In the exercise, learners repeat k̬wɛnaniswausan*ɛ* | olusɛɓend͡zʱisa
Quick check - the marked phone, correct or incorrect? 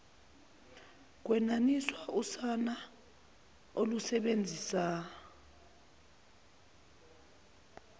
incorrect